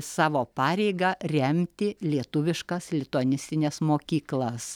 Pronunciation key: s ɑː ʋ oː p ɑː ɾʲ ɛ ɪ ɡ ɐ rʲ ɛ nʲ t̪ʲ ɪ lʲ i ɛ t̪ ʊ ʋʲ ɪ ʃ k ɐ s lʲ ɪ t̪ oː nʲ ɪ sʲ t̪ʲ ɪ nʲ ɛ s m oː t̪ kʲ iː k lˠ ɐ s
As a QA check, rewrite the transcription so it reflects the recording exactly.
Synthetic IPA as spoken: s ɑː ʋ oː p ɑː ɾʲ ɛ ɪ ɡ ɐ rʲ ɛ mʲ t̪ʲ ɪ lʲ i ɛ t̪ ʊ ʋʲ ɪ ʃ k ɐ s lʲ ɪ t̪ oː nʲ ɪ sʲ t̪ʲ ɪ nʲ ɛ s m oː kʲ iː k lˠ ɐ s